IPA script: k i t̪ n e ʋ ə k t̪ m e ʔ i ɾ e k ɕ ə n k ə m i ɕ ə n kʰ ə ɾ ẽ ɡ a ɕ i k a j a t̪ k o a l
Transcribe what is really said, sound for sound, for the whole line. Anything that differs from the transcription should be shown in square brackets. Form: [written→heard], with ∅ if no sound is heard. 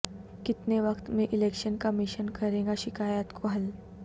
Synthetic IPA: k i t̪ n e ʋ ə k t̪ m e ʔ i [ɾ→l] e k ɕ ə n k ə m i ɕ ə n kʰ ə ɾ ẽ ɡ a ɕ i k a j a t̪ k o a l